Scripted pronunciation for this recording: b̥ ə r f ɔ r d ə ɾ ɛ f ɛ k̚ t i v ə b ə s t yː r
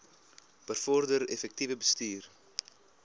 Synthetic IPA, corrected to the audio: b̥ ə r f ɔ r d ə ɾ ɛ f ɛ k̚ t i v ə b ə s t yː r